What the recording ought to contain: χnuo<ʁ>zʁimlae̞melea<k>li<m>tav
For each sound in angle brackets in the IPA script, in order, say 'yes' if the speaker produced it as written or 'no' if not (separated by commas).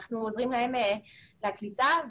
no, yes, no